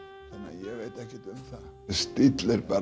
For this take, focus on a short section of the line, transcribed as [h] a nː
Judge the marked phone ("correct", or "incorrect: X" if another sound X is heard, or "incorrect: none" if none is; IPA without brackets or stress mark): incorrect: θ